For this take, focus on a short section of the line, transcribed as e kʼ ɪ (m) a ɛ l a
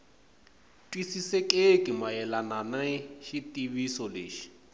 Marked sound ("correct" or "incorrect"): correct